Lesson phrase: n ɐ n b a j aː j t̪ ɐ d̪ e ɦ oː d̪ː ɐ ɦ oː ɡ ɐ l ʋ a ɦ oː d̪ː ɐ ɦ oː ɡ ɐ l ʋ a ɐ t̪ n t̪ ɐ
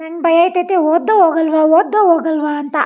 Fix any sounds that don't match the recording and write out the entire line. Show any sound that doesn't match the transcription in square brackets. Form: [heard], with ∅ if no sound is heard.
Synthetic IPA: n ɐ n b [ɐ] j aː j t̪ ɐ [t̪] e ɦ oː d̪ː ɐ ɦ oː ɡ ɐ l ʋ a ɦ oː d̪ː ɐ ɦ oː ɡ ɐ l ʋ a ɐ [∅] n t̪ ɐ